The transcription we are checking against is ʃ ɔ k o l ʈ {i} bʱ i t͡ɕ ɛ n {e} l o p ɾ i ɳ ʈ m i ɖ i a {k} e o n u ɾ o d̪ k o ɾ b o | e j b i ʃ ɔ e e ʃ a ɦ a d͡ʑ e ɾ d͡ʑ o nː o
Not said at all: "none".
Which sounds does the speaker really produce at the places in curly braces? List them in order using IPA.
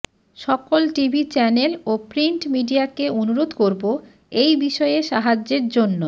i, e, k

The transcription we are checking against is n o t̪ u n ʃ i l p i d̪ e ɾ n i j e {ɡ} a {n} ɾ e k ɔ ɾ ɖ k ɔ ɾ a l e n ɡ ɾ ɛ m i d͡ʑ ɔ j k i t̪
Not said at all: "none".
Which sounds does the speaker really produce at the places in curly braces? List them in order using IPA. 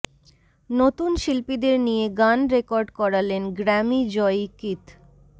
ɡ, n

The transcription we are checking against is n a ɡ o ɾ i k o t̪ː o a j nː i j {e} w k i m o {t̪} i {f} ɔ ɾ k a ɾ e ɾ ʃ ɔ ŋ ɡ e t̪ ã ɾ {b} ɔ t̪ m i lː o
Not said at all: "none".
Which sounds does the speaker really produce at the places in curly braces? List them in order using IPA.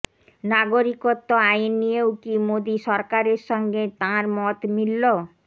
e, d̪, ʃ, m

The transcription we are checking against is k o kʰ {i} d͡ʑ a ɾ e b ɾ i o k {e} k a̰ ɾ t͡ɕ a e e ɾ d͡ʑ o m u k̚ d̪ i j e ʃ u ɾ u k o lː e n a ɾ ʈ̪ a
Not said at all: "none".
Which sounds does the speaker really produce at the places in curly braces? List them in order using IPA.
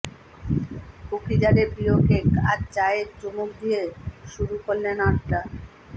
i, e

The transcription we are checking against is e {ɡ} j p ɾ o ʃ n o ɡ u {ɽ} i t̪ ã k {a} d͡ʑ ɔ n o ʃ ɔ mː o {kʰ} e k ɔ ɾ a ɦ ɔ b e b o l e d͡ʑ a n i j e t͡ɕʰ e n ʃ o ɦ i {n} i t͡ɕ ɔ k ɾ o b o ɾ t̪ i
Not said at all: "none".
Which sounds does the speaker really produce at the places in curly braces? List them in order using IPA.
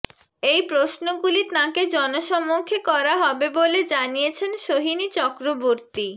none, l, e, kʰ, n

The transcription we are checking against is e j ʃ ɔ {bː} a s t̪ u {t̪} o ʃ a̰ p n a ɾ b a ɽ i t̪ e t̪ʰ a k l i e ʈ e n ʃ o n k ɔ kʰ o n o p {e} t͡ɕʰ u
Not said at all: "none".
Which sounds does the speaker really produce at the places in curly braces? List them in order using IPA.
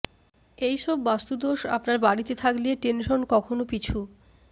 bː, d̪, i

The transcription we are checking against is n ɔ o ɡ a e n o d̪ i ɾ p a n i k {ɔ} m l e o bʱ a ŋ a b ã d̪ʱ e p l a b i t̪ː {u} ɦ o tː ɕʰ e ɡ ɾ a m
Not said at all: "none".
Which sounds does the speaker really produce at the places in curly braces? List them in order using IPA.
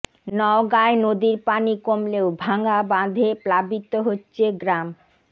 o, o

